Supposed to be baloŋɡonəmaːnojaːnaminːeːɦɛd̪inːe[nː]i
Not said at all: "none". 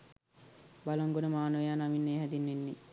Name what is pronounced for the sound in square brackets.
nː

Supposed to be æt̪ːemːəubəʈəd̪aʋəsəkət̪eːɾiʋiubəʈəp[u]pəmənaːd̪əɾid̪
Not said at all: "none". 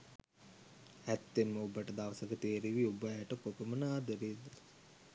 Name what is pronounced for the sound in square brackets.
o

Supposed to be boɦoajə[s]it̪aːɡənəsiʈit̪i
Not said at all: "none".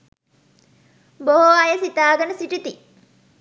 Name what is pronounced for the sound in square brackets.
s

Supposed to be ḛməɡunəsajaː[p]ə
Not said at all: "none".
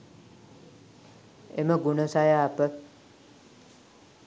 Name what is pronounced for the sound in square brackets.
p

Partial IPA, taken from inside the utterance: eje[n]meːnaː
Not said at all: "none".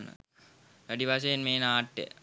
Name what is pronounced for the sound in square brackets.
n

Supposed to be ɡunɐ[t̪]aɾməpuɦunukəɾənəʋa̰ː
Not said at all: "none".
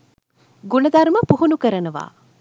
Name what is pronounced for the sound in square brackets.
d̪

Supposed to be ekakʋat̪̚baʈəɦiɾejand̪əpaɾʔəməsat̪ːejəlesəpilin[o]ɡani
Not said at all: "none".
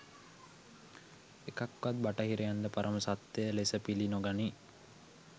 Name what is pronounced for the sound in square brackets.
o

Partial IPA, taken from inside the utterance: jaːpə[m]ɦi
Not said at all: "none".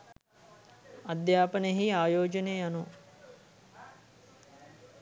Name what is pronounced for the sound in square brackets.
n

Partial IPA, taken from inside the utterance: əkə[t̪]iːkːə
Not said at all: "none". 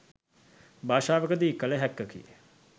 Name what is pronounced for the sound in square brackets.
d̪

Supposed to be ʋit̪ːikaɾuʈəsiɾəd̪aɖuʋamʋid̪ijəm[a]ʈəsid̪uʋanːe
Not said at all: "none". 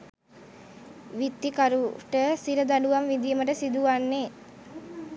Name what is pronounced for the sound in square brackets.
ə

